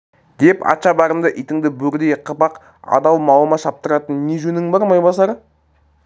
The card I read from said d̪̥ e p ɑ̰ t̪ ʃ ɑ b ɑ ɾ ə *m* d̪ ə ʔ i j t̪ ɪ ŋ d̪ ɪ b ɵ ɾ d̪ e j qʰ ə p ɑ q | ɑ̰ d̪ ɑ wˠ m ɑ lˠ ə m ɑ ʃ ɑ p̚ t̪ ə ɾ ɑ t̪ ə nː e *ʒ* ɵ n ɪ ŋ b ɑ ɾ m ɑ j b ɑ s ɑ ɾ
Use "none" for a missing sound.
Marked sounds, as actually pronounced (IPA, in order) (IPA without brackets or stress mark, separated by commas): m, ʒ